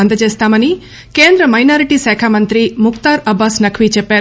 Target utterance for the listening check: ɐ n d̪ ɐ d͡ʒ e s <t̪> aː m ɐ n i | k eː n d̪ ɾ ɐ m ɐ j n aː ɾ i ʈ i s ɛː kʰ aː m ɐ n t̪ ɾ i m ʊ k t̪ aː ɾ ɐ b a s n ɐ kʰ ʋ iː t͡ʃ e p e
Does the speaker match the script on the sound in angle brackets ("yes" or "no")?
yes